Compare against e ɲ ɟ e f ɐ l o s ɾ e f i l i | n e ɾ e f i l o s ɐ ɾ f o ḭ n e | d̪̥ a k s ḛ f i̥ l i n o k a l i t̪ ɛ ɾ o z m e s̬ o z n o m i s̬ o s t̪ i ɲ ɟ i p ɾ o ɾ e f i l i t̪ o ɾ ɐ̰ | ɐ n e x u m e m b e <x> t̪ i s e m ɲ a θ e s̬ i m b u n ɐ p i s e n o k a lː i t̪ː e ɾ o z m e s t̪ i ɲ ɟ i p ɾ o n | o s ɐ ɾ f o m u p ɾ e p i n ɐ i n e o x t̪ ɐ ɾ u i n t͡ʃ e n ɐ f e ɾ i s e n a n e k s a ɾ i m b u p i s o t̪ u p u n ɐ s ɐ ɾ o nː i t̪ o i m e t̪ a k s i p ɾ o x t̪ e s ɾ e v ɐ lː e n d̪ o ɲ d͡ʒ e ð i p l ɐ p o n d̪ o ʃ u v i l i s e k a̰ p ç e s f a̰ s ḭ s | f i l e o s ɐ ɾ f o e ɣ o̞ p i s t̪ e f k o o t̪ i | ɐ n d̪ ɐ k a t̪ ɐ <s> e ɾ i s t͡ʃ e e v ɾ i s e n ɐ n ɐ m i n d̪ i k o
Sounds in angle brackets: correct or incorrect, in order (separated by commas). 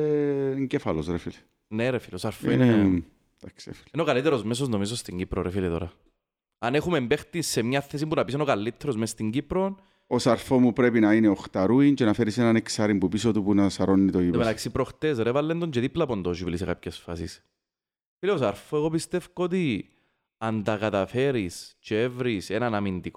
correct, incorrect